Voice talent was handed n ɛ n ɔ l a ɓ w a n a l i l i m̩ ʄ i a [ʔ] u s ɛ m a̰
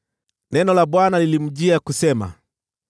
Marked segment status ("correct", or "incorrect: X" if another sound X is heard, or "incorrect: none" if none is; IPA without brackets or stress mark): incorrect: k